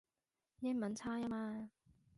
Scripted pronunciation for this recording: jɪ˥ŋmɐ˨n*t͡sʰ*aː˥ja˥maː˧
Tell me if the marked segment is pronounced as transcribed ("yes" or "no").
yes